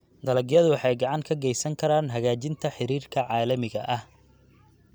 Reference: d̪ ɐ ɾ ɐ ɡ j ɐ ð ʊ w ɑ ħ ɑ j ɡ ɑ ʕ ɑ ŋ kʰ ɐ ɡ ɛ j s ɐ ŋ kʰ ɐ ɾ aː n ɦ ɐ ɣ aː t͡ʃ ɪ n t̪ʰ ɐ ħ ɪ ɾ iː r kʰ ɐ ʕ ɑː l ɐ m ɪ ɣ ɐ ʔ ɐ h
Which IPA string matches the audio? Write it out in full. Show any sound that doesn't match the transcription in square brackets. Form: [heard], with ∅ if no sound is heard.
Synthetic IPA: d̪ ɐ [l] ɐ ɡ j ɐ ð ʊ w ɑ ħ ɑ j ɡ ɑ ʕ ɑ ŋ kʰ ɐ ɡ ɛ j s ɐ ŋ kʰ ɐ ɾ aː n ɦ ɐ ɣ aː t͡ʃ ɪ n t̪ʰ ɐ ħ ɪ ɾ iː r kʰ ɐ ʕ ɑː l ɐ m ɪ ɣ ɐ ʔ ɐ h